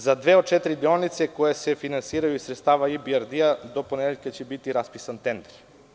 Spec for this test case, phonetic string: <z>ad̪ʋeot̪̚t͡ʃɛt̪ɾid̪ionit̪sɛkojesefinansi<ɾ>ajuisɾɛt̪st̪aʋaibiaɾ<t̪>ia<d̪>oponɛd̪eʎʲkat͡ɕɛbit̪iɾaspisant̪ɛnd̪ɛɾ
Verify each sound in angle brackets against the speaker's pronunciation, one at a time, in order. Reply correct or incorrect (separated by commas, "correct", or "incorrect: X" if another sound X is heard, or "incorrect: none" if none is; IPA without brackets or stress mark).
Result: correct, correct, incorrect: d̪, correct